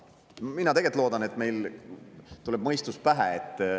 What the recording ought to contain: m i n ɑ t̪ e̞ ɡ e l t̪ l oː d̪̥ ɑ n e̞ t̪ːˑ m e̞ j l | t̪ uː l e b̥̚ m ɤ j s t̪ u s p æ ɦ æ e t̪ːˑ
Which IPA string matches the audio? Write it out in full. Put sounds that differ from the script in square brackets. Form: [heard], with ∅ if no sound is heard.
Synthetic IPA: m i n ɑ t̪ e̞ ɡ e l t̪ l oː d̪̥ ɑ n e̞ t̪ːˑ m e̞ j l | t̪ [u] l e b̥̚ m ɤ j s t̪ u s p æ ɦ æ e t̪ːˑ